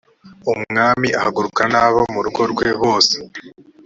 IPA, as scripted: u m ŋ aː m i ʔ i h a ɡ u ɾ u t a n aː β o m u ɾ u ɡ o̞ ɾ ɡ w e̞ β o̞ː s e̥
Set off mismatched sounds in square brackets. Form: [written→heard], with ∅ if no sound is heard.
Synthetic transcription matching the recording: u m ŋ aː m i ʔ [i→a] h a ɡ u ɾ u [t→k] a n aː β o m u ɾ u ɡ o̞ ɾ ɡ w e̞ β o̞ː s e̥